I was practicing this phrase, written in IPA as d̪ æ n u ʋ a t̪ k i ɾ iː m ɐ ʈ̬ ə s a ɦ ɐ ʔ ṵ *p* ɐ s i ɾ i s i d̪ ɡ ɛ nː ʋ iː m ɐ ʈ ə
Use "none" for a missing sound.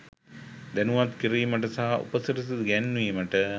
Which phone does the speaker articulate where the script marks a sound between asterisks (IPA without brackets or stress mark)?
p